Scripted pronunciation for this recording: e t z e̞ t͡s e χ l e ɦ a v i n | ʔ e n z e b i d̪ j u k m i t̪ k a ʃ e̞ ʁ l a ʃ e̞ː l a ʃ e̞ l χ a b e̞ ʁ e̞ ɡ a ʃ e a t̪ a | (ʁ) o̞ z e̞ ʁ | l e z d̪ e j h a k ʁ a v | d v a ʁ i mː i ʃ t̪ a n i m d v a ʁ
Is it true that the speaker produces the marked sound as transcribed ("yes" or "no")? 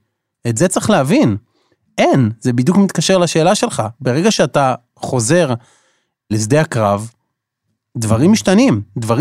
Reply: no